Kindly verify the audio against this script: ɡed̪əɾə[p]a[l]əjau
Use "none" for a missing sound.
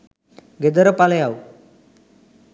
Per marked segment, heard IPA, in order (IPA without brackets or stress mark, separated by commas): p, l